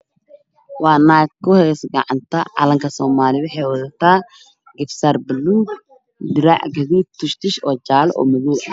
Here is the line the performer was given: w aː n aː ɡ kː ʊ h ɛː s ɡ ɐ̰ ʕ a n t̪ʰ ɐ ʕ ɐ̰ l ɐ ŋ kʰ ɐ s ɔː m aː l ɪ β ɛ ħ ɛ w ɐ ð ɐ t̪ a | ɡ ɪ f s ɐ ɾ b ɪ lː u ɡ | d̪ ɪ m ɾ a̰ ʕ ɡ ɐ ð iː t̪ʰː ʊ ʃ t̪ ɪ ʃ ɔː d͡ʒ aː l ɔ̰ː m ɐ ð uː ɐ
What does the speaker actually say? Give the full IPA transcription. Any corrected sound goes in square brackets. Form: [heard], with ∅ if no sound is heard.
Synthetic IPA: w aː n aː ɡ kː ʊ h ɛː s ɡ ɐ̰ ʕ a n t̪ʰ ɐ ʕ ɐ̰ l ɐ ŋ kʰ ɐ s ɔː m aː l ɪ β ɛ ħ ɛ w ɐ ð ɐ t̪ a | ɡ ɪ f s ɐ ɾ b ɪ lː u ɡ | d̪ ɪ [∅] ɾ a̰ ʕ ɡ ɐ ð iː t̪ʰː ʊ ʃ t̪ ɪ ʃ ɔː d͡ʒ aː l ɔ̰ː m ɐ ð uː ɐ